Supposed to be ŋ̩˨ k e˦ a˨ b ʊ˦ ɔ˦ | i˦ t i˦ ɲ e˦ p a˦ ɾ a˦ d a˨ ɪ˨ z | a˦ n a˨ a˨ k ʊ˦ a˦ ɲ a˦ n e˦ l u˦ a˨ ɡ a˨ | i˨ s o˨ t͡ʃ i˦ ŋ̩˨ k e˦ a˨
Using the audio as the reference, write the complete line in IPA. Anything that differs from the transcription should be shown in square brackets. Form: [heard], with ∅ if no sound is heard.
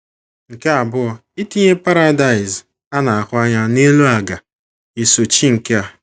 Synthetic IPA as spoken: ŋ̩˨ k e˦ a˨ b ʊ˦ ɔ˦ | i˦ t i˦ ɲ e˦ p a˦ ɾ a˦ d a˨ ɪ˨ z | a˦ n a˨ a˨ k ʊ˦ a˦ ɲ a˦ n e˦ l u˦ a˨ ɡ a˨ | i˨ s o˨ t͡ʃ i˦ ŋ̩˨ k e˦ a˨